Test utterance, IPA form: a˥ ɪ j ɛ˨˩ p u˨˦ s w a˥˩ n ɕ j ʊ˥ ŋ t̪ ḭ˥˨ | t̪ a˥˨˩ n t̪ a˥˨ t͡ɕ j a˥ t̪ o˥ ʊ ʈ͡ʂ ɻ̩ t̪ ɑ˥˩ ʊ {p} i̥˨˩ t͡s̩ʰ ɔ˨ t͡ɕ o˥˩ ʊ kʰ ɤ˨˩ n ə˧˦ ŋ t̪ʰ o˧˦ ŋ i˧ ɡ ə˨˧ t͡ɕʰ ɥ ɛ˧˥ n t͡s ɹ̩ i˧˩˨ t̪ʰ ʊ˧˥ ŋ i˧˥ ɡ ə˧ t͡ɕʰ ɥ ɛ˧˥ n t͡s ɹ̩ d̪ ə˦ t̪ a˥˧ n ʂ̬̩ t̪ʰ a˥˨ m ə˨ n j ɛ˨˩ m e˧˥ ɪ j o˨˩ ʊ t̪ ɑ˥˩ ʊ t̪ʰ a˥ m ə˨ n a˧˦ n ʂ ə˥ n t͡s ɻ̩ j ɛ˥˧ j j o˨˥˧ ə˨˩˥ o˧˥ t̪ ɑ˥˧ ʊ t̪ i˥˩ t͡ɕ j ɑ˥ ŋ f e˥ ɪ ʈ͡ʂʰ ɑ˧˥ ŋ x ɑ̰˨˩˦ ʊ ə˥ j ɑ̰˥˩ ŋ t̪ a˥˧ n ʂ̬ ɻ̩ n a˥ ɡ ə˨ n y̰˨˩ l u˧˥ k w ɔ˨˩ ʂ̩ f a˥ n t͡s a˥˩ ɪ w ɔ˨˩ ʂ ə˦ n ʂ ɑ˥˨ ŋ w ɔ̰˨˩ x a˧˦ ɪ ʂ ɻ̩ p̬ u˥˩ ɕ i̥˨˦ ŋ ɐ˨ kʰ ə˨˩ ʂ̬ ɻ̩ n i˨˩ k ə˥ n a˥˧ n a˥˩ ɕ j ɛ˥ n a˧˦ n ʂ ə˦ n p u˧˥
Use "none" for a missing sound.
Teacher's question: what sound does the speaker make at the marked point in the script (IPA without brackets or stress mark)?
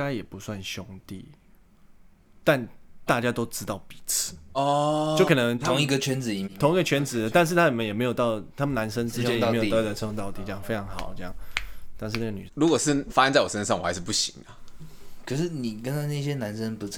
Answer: p